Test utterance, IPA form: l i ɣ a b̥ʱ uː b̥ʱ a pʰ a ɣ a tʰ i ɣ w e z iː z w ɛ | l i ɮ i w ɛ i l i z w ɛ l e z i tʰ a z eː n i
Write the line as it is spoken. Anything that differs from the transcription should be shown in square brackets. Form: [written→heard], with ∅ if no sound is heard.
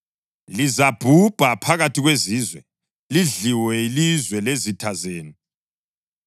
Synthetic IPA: l i [ɣ→z] a b̥ʱ [uː→u] b̥ʱ a pʰ a ɣ a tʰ i ɣ w e z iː z w ɛ | l i ɮ i w ɛ i l i z w ɛ l e z i tʰ a z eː n i